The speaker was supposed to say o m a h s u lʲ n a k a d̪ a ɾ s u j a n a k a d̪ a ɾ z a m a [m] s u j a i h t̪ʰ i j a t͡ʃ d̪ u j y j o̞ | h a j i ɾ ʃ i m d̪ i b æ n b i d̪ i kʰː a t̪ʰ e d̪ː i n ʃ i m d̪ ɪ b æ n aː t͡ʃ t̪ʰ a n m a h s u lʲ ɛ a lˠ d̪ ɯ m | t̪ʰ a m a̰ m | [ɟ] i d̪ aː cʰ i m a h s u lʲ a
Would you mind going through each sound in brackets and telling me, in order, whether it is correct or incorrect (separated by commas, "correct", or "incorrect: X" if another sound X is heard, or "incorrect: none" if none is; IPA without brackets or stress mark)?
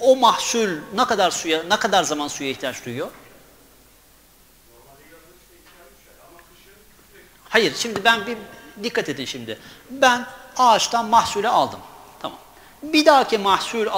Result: incorrect: n, incorrect: b